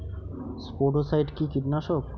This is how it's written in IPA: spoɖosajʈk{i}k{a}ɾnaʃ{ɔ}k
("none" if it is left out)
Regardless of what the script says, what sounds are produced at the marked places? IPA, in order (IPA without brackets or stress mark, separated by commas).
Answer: i, i, o